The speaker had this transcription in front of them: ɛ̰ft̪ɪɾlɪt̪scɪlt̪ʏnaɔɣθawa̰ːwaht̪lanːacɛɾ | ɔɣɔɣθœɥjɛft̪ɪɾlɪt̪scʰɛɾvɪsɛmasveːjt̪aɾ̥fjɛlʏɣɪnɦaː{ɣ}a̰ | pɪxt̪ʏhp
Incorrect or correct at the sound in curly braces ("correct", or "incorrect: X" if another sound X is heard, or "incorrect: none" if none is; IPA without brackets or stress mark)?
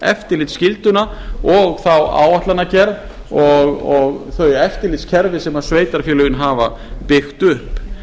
incorrect: v